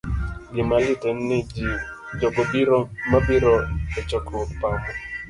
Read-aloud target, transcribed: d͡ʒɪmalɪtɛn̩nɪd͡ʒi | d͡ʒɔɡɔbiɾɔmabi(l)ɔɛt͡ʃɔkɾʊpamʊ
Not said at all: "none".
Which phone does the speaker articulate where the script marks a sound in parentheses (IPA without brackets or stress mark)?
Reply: ɾ